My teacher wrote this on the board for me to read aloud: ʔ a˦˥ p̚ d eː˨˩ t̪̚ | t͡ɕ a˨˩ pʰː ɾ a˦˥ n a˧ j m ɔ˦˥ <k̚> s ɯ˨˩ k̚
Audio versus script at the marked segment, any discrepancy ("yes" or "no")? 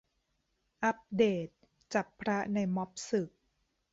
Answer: yes